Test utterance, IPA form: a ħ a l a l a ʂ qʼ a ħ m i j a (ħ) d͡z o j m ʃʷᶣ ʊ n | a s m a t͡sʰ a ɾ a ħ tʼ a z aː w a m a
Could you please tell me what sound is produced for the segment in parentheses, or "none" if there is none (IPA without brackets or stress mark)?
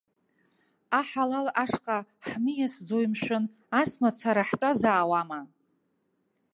s